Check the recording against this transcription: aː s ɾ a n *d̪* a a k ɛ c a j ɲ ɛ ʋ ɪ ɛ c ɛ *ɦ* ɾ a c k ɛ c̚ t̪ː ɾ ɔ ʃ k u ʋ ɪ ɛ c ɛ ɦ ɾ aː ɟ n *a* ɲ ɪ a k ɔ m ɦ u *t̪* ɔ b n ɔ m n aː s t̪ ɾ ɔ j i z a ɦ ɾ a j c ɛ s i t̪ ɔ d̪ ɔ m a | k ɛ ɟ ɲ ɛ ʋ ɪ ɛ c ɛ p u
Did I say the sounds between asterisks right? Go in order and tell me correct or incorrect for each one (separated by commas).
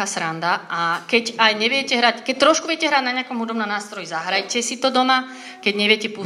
correct, correct, correct, incorrect